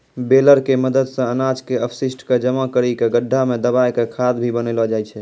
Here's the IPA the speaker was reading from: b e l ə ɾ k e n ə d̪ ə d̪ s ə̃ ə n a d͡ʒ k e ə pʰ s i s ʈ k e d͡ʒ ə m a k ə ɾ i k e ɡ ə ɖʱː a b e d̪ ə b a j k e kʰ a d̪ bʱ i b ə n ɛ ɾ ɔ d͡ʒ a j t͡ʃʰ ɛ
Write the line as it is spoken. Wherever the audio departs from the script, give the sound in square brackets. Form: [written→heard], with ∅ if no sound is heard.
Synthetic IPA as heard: b e l ə ɾ k e [n→m] ə d̪ ə d̪ s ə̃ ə n a d͡ʒ k e ə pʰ s i s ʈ k e d͡ʒ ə m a k ə ɾ i k e ɡ ə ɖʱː a [b→m] e d̪ ə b a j k e kʰ a d̪ bʱ i b ə n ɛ [ɾ→l] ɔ d͡ʒ a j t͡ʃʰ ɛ